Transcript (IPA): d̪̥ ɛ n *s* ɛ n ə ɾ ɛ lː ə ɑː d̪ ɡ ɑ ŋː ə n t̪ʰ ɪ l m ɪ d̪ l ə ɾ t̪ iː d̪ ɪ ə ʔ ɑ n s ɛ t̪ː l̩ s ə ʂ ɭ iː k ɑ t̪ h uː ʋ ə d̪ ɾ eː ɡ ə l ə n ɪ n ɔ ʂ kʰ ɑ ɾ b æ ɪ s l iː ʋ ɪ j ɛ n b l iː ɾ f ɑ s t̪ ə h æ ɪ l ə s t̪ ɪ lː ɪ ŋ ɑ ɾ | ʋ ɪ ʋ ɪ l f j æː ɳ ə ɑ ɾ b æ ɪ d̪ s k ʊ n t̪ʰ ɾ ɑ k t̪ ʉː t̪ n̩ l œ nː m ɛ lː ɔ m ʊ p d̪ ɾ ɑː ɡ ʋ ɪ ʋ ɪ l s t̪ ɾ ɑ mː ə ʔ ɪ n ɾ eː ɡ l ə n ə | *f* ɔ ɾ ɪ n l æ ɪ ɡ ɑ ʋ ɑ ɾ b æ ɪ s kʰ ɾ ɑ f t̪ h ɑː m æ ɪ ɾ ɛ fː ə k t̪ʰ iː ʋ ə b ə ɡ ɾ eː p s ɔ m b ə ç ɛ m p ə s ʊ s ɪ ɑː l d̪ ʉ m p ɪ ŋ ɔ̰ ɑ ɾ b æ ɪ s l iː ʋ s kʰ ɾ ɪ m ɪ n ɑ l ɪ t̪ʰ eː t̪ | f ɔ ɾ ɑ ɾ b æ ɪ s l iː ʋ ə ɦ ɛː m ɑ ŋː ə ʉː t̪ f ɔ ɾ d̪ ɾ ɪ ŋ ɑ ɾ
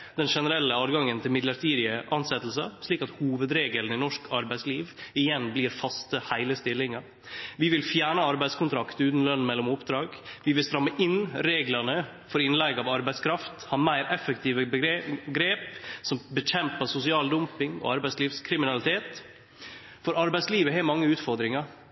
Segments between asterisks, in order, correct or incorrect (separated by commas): incorrect, correct